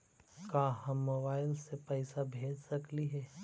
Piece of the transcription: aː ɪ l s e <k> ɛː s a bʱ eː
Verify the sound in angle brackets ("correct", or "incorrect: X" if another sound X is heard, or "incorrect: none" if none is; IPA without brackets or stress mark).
incorrect: p